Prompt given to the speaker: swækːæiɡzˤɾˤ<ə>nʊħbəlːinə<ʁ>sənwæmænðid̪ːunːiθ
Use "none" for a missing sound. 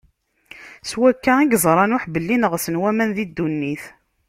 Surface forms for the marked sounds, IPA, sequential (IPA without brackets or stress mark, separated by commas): ɑ, ʁ